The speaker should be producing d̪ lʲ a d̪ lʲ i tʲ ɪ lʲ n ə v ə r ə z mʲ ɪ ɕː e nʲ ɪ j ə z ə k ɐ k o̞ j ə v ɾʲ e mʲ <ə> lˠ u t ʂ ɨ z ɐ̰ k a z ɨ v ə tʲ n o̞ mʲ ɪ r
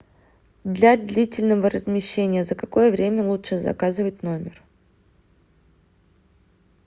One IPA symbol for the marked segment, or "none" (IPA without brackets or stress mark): ə